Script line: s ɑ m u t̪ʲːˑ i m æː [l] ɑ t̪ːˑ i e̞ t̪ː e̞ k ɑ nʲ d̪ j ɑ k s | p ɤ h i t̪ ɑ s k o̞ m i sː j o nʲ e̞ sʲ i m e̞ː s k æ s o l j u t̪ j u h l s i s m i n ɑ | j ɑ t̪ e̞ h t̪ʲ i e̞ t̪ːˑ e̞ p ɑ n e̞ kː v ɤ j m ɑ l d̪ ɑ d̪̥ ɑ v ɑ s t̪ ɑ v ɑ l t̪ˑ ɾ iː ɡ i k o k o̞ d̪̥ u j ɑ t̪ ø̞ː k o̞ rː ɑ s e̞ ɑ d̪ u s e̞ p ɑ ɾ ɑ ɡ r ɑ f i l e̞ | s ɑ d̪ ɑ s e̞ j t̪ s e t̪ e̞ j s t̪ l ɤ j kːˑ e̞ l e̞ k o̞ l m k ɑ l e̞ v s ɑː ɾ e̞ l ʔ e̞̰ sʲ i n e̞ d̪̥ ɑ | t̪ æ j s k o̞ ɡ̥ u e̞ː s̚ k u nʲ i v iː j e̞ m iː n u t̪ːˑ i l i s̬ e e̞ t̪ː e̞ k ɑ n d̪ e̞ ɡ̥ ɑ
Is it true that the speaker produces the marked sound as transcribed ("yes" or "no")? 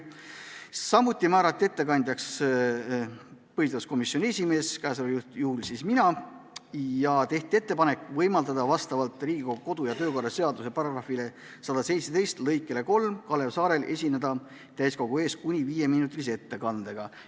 no